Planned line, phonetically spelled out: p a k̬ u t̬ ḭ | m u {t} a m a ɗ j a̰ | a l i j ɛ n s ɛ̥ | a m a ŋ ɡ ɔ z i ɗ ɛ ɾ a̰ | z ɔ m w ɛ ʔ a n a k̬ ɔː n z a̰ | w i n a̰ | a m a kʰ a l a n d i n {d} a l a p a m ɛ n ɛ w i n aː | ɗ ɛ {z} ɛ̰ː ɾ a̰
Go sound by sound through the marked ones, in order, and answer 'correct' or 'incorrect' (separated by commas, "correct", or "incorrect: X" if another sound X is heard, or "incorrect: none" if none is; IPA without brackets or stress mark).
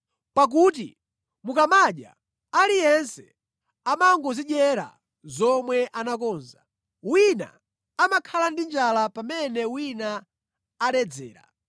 incorrect: k, incorrect: d͡ʒ, incorrect: d͡z